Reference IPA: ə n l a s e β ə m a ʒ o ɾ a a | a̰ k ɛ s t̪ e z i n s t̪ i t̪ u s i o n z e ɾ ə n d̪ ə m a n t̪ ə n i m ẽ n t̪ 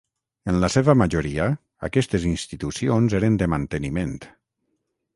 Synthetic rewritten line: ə n l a s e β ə m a ʒ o ɾ i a | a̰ k ɛ s t̪ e z i n s t̪ i t̪ u s i o n z e ɾ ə n d̪ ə m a n t̪ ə n i m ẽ n t̪